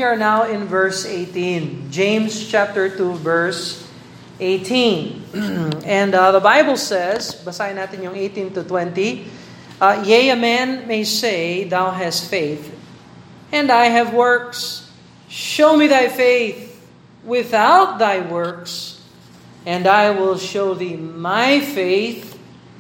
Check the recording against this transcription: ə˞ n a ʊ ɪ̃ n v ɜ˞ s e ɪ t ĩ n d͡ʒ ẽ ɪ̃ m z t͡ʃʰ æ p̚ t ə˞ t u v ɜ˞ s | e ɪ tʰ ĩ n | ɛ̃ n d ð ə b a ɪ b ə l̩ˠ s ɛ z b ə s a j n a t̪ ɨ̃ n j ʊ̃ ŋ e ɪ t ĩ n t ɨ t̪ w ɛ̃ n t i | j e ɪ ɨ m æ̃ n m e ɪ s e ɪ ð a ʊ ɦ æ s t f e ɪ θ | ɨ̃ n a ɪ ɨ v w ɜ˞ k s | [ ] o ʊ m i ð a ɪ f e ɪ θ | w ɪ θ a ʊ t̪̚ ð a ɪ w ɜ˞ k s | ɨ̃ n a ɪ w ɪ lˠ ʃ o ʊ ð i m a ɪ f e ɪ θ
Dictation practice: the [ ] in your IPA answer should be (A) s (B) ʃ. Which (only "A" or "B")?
B